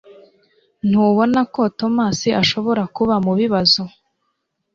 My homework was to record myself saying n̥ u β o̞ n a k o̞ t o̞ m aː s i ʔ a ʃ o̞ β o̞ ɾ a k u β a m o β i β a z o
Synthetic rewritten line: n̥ u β o̞ n a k o̞ t o̞ m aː s i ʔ a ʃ o̞ β o̞ ɾ a k u β a m u β i β a z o